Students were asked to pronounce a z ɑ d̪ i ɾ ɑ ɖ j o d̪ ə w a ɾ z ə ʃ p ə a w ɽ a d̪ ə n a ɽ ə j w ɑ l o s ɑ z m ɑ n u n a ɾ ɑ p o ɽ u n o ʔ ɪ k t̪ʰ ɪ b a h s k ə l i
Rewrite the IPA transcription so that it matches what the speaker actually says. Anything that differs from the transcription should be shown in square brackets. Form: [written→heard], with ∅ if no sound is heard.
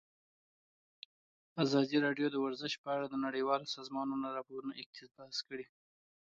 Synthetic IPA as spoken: a z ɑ d̪ i ɾ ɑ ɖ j o d̪ ə w a ɾ z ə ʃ p ə a [w→∅] ɽ a d̪ ə n a ɽ ə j w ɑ l o s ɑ z m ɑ n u n a ɾ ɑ p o [ɽ→ɾ] u n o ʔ ɪ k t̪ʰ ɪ b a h s k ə [l→ɽ] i